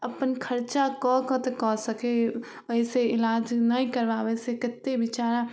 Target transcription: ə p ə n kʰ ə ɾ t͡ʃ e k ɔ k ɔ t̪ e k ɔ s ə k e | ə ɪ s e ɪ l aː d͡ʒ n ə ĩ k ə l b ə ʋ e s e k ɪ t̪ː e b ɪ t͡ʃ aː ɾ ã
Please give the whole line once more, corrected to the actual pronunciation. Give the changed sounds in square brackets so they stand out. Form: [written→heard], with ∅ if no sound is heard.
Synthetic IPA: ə p ə n kʰ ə ɾ t͡ʃ [e→a] k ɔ k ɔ t̪ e k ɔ s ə k e | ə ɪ s e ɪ l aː d͡ʒ n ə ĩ k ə [l→ɾ] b [ə→a] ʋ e s e k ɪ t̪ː e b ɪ t͡ʃ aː ɾ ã